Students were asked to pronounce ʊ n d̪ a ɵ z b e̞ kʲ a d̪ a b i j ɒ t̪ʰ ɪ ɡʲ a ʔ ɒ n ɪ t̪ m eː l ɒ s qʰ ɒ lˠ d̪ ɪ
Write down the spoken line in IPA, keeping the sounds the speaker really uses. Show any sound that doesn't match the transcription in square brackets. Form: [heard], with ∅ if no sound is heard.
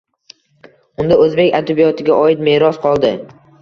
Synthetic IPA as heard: ʊ n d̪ a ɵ z b e̞ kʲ a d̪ a b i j ɒ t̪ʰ ɪ ɡʲ a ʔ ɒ [∅] ɪ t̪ m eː [ɾ] ɒ s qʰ ɒ lˠ d̪ ɪ

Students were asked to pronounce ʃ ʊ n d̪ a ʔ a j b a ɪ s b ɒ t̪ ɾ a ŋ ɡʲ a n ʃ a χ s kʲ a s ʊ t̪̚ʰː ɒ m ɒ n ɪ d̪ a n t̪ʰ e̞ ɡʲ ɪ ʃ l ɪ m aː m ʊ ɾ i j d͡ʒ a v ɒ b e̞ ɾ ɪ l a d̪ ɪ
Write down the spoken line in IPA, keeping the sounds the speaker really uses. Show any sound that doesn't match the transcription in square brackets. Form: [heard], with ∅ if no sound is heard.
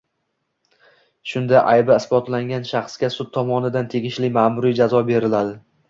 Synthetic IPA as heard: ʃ ʊ n d̪ a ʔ a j b a ɪ s b ɒ t̪ [l] a ŋ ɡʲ a n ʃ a χ s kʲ a s ʊ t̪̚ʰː ɒ m ɒ n ɪ d̪ a n t̪ʰ e̞ ɡʲ ɪ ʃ l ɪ m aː m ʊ ɾ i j d͡ʒ a [z] ɒ b e̞ ɾ ɪ l a d̪ ɪ

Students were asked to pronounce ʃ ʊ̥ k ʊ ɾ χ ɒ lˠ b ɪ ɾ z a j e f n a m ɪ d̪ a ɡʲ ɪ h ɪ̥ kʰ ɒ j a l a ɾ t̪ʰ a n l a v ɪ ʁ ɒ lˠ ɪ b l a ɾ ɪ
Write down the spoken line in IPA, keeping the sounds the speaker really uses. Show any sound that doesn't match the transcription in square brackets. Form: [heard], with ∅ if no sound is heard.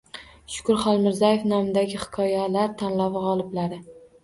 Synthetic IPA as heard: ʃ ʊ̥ k ʊ ɾ χ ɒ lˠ [m] ɪ ɾ z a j e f n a m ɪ d̪ a ɡʲ ɪ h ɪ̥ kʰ ɒ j a l a ɾ t̪ʰ a n l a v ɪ ʁ ɒ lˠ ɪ b l a ɾ ɪ

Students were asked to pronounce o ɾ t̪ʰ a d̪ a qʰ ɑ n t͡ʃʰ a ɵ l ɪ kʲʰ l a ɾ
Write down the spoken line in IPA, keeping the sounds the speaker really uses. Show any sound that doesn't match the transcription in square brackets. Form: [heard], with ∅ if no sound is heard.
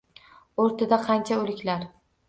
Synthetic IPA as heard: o ɾ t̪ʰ a d̪ a qʰ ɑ n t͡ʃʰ a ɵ l ɪ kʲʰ l a ɾ

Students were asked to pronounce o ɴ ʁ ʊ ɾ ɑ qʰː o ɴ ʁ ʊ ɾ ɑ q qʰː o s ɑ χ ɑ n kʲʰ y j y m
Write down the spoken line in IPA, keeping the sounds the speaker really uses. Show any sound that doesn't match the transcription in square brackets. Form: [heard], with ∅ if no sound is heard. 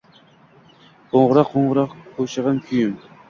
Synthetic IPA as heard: o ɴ ʁ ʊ ɾ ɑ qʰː o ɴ ʁ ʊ ɾ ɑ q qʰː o [ʃ] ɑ [ʁ] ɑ n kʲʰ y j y m

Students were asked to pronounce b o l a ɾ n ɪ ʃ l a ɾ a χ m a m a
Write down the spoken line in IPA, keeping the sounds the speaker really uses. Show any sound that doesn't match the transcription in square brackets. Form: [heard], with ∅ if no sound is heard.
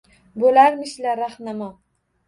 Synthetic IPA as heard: b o l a ɾ [m] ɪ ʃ l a ɾ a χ [n] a m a

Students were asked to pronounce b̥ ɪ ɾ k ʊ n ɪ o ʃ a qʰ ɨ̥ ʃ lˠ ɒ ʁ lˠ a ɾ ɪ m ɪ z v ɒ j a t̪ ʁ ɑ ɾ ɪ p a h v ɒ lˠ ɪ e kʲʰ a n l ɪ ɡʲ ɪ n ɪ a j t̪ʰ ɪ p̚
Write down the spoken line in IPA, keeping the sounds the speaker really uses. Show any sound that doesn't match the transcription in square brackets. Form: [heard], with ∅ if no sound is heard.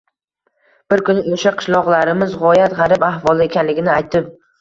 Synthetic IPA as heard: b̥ ɪ ɾ k ʊ n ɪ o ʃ a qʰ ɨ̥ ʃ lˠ ɒ ʁ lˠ a ɾ ɪ m ɪ z [ʁ] ɒ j a t̪ ʁ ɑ ɾ ɪ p a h v ɒ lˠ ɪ e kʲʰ a n l ɪ ɡʲ ɪ n ɪ a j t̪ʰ ɪ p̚

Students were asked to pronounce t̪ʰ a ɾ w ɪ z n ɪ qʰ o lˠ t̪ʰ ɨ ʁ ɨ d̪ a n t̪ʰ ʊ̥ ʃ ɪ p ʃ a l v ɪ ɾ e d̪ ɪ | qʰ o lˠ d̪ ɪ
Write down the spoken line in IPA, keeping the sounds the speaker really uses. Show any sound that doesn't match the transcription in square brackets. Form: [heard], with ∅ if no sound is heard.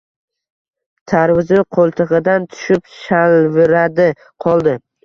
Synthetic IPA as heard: t̪ʰ a ɾ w ɪ z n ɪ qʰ o lˠ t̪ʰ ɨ ʁ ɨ d̪ a n t̪ʰ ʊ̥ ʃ ɪ p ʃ a l v ɪ ɾ [a] d̪ ɪ | qʰ [ɒ] lˠ d̪ ɪ

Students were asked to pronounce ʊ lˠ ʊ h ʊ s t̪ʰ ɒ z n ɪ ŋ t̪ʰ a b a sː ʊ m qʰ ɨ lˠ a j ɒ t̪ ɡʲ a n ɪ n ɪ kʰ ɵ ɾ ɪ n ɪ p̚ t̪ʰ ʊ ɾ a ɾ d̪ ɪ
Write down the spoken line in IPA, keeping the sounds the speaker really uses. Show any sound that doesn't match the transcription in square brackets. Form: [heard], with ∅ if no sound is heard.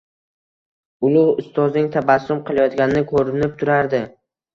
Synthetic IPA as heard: ʊ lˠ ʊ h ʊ s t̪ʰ ɒ z n ɪ ŋ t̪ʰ a b a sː ʊ m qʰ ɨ lˠ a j ɒ t̪ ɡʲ a n ɪ n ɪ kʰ ɵ ɾ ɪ n ɪ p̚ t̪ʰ ʊ ɾ a ɾ d̪ ɪ

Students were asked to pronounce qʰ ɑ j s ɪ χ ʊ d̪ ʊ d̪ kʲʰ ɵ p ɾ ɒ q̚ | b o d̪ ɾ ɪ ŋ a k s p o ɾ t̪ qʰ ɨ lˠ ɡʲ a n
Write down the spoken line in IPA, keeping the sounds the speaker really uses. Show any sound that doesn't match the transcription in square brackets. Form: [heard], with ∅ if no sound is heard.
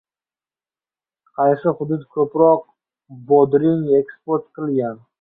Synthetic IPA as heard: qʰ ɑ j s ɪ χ ʊ d̪ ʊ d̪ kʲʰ ɵ p ɾ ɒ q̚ | b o d̪ ɾ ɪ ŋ [e] k s p o ɾ t̪ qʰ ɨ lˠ ɡʲ a n

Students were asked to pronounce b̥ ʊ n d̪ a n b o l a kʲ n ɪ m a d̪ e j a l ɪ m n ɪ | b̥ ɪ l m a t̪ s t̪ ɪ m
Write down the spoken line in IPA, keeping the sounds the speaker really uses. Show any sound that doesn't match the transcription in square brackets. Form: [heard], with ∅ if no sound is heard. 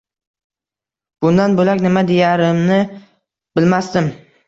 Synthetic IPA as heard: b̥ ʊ n d̪ a n b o l a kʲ n ɪ m a d̪ e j a [ɾ] ɪ m n ɪ | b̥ ɪ l m a [∅] s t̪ ɪ m

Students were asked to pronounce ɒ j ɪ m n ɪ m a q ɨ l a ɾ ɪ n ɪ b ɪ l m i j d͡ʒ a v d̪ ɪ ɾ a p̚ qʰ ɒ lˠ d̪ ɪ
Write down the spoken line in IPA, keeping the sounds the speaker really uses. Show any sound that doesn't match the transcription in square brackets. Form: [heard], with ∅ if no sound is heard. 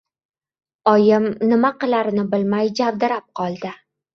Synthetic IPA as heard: ɒ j ɪ m n ɪ m a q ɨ l a ɾ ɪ n ɪ b ɪ l m [a] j d͡ʒ a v d̪ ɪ ɾ a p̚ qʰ ɒ lˠ d̪ ɪ

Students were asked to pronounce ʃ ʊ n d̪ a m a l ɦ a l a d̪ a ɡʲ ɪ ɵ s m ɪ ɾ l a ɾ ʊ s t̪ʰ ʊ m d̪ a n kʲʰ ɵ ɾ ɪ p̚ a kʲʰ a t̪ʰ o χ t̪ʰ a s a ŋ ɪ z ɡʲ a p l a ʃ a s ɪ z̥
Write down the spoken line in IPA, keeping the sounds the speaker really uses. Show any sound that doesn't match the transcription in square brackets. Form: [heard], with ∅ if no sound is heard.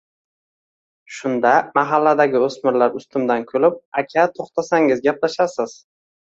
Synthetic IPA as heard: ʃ ʊ n d̪ a m a [∅] ɦ a [lː] a d̪ a ɡʲ ɪ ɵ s m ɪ ɾ l a ɾ ʊ s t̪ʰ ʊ m d̪ a n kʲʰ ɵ [l] ɪ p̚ a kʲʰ a t̪ʰ o χ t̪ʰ a s a ŋ ɪ z ɡʲ a p l a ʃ a s ɪ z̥

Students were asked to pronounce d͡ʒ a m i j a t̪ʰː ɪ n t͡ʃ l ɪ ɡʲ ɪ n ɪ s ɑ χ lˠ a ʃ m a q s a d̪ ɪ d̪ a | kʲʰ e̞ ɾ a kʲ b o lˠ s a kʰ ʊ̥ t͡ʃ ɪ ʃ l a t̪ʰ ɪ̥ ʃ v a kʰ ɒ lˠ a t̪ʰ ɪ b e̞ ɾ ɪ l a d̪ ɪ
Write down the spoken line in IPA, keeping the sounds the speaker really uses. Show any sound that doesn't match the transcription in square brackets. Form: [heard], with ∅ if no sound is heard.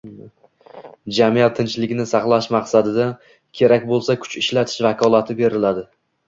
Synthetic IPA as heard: d͡ʒ a m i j a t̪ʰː ɪ n t͡ʃ l ɪ ɡʲ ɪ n ɪ s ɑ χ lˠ a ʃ m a q s a d̪ ɪ d̪ a | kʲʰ e̞ ɾ a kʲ b o lˠ s a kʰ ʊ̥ t͡ʃ ɪ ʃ l a t̪ʰ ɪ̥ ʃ v a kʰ ɒ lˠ a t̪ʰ ɪ b e̞ ɾ ɪ l a d̪ ɪ

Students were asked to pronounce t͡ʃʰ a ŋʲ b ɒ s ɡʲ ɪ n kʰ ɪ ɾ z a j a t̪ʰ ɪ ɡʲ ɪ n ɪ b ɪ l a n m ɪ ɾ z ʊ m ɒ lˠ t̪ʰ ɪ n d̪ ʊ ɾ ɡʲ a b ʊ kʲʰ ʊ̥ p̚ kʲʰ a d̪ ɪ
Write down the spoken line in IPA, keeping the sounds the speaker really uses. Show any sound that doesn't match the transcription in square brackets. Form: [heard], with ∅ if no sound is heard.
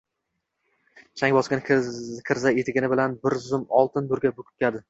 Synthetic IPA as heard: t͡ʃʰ a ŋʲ b ɒ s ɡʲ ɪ n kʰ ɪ ɾ z a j [e] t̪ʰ ɪ ɡʲ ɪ n ɪ b ɪ l a n [b] ɪ ɾ z ʊ m ɒ lˠ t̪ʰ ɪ n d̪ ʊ ɾ ɡʲ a b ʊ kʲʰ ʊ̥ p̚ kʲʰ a d̪ ɪ

